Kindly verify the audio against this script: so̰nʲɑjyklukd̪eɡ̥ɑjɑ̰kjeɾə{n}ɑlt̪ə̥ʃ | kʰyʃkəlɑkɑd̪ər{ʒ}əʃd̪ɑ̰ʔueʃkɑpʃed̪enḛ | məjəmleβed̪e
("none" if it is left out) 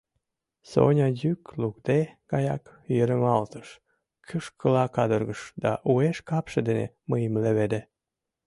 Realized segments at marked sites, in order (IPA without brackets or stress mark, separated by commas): m, ɣ